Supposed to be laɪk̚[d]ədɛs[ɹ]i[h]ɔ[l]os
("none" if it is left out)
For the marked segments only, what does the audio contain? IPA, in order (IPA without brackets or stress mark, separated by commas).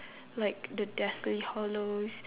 d, l, h, l